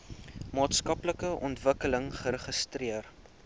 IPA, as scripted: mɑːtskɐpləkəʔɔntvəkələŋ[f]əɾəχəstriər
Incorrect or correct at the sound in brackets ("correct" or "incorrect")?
incorrect